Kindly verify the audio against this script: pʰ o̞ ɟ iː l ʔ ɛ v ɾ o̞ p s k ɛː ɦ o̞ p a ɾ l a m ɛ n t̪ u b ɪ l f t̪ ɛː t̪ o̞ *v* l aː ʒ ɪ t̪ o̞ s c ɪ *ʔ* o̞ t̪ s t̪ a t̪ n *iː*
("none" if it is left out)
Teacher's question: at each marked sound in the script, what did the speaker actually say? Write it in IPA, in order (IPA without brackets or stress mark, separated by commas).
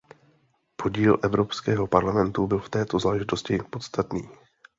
z, p, iː